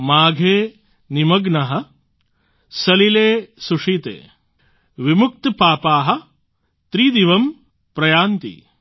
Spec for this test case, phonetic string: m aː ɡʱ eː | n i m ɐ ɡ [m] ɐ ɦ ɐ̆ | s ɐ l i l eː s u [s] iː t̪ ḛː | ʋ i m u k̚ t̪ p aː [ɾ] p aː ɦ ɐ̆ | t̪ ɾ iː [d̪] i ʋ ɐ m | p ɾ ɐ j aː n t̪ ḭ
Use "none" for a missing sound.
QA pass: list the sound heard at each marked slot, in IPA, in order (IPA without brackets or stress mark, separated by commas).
n, ʂ, none, d̪